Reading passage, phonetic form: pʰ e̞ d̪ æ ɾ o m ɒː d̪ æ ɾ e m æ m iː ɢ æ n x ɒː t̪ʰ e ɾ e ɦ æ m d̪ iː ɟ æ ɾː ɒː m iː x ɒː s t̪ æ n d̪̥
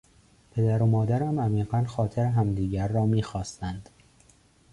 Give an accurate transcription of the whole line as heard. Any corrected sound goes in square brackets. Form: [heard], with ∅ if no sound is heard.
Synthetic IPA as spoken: pʰ e̞ d̪ æ ɾ o m ɒː d̪ æ ɾ [æ] m æ m iː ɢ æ n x ɒː t̪ʰ e ɾ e ɦ æ m d̪ iː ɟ æ ɾː ɒː m iː x ɒː s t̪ æ n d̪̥